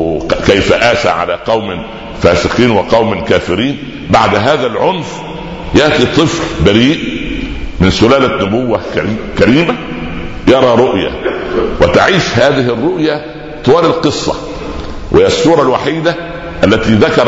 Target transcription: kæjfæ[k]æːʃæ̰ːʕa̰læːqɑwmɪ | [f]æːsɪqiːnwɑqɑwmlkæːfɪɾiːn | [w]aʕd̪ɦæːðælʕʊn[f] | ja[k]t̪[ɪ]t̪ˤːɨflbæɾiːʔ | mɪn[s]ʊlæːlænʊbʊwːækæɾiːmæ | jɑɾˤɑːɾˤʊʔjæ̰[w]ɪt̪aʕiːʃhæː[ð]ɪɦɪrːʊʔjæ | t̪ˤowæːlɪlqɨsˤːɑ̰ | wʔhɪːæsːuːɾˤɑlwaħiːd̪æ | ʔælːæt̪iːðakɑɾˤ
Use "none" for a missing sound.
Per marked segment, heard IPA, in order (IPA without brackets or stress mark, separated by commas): ʔ, f, b, f, ʔ, i, s, w, ð